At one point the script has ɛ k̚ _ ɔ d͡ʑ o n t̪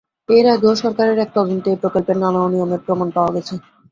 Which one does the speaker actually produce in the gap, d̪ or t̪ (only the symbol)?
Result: t̪